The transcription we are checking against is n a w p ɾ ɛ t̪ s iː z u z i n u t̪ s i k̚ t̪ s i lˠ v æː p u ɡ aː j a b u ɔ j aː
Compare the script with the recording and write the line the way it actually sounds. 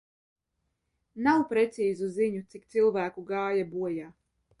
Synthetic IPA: n a w p ɾ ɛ t̪ s iː z u z i ɲ u t̪ s i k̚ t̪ s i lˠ v æː k u ɡ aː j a b u ɔ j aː